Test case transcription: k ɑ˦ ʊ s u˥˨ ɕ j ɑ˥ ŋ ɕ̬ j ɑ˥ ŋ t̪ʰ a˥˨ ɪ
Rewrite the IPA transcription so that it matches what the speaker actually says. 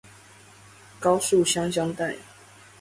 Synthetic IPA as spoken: k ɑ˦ ʊ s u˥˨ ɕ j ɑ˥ ŋ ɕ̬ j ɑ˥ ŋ t̪ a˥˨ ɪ